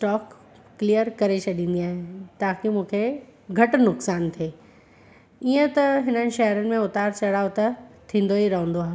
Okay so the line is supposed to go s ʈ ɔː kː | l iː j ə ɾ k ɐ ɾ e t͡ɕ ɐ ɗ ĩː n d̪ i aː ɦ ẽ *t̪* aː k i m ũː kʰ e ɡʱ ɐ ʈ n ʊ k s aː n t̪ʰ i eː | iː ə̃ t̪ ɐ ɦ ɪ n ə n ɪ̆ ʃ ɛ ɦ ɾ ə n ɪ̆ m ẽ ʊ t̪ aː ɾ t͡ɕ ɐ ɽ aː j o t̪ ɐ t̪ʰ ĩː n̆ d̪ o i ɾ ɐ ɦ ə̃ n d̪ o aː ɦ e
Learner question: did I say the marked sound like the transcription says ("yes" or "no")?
yes